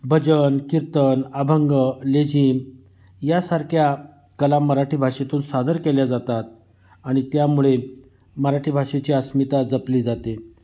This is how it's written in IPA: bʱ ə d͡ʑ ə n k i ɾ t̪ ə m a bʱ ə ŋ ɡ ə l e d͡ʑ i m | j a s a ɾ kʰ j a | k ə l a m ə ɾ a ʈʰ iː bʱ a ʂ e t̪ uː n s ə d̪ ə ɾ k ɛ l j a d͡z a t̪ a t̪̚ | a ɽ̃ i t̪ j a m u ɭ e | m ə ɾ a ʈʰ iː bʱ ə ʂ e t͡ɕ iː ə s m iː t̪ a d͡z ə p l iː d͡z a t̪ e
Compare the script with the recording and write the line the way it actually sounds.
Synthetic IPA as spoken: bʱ ə d͡ʑ ə n k i ɾ t̪ ə n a bʱ ə ŋ ɡ ə l e d͡ʑ i m | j a s a ɾ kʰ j a | k ə l a m ə ɾ a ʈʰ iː bʱ a ʂ e t̪ uː n s a d̪ ə ɾ k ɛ l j a d͡z a t̪ a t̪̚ | a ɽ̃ i t̪ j a m u ɭ e | m ə ɾ a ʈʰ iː bʱ a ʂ e t͡ɕ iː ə s m i t̪ a d͡z ə p l iː d͡z a t̪ e